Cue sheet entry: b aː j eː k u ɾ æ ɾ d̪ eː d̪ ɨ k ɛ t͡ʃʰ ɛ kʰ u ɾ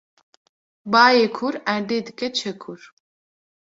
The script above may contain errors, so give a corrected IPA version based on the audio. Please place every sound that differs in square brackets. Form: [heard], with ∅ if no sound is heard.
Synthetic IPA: b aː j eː [kʰ] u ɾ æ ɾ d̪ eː d̪ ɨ k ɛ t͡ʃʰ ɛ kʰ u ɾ